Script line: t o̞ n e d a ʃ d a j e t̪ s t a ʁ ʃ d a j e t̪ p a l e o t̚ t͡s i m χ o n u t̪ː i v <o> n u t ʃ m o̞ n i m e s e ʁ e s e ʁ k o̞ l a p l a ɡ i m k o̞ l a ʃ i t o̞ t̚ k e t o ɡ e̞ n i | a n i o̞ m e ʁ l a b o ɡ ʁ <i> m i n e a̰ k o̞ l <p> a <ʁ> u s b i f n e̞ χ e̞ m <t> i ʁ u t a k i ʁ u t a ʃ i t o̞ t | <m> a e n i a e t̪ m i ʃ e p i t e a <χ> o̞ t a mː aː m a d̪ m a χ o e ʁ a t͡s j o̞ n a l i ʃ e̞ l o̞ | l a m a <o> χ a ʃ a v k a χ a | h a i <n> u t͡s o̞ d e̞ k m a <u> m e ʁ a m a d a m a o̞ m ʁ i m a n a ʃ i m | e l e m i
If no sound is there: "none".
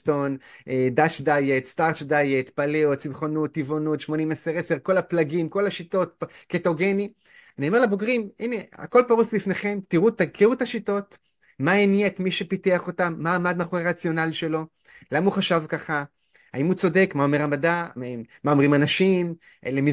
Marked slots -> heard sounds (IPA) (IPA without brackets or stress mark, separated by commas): o, i, p, ʁ, t, m, χ, u, m, o